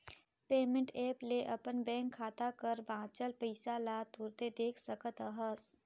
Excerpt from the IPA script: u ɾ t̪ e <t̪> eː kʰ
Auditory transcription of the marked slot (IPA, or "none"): d̪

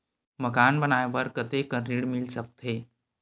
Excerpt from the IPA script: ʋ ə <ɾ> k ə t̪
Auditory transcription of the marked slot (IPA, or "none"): ɾ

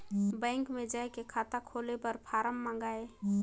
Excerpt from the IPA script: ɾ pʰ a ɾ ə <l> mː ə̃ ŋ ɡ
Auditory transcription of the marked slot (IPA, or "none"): none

